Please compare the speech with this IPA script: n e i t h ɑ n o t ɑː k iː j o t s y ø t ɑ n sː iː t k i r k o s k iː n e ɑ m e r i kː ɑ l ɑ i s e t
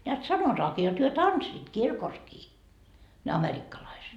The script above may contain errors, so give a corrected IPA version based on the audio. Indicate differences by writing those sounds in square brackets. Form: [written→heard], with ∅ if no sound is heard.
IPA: n e [i→æ] t [h→s] ɑ n o t ɑː k iː j o t [s→h] y ø t ɑ n sː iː t k i r k o s k iː n e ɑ m e r i kː ɑ l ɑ i s e t

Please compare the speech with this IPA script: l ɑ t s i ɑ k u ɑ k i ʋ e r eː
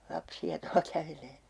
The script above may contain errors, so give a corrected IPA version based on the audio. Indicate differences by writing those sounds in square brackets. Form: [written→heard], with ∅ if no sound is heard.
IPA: l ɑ [t→p] s i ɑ [k→t] u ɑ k [i→æ] ʋ e [r→l] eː

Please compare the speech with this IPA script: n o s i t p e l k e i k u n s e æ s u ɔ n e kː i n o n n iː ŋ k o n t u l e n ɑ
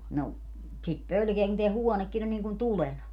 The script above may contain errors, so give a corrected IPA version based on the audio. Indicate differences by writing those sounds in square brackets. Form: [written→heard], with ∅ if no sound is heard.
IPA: n o s i t p [e→ø] l k e [i→æ] k u n [s→t] e æ [s→h] u ɔ n e kː i n o n n iː ŋ k [o→u] n t u l e n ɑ

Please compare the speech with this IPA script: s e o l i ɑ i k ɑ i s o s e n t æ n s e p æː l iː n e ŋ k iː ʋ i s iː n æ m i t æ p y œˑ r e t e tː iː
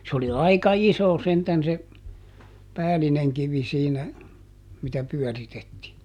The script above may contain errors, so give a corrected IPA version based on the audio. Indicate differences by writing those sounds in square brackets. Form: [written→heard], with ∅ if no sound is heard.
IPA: s e o l i ɑ i k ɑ i s o s e n t æ n s e p æː l [iː→i] n e ŋ k [iː→i] ʋ i s iː n æ m i t æ p y œˑ r [e→i] t e tː iː

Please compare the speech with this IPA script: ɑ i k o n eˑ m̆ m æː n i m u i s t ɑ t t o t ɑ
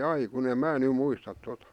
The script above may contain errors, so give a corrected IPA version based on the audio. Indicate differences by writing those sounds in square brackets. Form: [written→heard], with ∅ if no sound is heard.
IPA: ɑ i k [o→u] n eˑ m̆ m æː n [i→y] m u i s t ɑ t t o t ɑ

